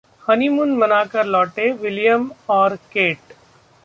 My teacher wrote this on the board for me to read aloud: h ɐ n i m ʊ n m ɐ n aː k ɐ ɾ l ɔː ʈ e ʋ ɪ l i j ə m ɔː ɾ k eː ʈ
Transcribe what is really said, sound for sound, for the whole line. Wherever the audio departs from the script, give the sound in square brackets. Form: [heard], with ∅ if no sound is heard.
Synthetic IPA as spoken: h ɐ n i m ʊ n m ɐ n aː k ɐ ɾ l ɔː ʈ e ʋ ɪ l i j ə m ɔː ɾ k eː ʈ